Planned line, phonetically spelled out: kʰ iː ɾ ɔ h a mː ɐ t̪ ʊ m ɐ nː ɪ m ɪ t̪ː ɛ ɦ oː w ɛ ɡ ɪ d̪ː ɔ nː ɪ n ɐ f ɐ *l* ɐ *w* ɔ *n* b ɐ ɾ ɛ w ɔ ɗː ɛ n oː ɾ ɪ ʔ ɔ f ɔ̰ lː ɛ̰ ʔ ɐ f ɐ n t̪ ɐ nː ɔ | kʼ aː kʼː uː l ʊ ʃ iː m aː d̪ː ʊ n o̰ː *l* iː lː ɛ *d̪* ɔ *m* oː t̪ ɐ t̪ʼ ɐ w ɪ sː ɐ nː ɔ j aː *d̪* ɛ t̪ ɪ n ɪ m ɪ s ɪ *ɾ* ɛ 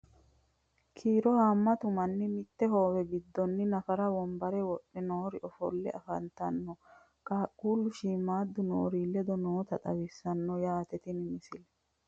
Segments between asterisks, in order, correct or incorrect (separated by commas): incorrect, correct, incorrect, incorrect, correct, incorrect, incorrect, incorrect